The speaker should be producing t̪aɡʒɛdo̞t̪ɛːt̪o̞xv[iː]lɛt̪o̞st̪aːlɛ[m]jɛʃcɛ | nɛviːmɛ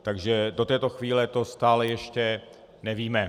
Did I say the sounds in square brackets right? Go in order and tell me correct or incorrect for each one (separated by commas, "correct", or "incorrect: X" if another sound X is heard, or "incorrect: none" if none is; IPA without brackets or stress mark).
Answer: correct, incorrect: none